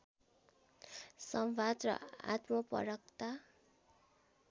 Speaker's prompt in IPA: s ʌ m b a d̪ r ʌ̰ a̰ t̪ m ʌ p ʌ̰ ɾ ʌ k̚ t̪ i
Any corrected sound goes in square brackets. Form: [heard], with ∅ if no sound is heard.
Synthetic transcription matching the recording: s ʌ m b a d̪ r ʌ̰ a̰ t̪ m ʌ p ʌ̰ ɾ ʌ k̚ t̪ [a]